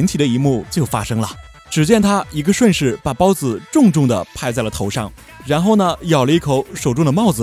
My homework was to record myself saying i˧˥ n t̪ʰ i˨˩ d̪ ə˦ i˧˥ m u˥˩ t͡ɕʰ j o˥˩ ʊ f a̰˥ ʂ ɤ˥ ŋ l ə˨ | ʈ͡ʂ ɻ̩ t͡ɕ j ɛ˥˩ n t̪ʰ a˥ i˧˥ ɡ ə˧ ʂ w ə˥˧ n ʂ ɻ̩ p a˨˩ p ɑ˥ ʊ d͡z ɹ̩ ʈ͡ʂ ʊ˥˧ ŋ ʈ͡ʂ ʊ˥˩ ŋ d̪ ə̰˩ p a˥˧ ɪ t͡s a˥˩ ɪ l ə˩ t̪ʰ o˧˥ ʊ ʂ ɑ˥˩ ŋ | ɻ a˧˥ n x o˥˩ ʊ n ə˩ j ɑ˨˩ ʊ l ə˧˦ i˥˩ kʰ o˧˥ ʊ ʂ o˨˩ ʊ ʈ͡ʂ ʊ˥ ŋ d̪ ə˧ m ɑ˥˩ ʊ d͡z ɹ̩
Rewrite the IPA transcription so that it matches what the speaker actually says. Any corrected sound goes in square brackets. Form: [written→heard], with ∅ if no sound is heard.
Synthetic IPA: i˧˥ n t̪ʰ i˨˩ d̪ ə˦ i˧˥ m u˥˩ [t͡ɕʰ→t͡ɕ] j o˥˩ ʊ f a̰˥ ʂ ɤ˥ ŋ l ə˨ | ʈ͡ʂ ɻ̩ t͡ɕ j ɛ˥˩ n t̪ʰ a˥ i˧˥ ɡ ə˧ ʂ w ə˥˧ n ʂ ɻ̩ p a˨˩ p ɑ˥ ʊ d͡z ɹ̩ ʈ͡ʂ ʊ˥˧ ŋ ʈ͡ʂ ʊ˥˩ ŋ d̪ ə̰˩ [p→pʰ] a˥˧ ɪ t͡s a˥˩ ɪ l ə˩ t̪ʰ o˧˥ ʊ ʂ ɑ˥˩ ŋ | ɻ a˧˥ n x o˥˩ ʊ n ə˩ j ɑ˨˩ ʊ l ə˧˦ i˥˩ kʰ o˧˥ ʊ ʂ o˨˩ ʊ ʈ͡ʂ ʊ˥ ŋ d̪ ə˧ m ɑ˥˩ ʊ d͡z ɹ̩